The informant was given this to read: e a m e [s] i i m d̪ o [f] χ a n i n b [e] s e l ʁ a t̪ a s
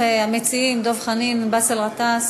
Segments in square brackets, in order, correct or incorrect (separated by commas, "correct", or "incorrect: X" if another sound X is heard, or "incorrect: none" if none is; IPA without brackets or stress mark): incorrect: t͡s, incorrect: v, incorrect: a